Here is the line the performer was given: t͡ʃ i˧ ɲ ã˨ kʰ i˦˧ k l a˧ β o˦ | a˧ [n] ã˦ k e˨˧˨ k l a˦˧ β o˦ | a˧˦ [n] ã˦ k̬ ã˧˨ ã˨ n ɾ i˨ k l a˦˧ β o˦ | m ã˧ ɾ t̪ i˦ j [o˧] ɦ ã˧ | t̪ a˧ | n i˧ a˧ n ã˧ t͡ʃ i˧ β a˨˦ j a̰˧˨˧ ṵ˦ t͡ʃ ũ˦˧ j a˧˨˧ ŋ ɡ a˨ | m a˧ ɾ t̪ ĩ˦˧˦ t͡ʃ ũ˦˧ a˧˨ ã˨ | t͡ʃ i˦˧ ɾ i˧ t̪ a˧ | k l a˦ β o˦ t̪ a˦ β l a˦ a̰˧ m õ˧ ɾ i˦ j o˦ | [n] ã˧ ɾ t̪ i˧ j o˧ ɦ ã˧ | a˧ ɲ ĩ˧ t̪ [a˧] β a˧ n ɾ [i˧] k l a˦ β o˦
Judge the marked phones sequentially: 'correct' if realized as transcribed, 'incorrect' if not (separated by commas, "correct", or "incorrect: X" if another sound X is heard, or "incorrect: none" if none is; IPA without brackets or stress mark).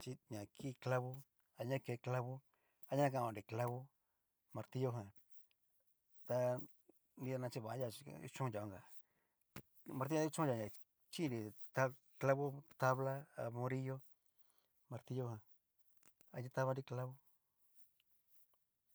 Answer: incorrect: ɲ, incorrect: ɲ, correct, incorrect: m, correct, correct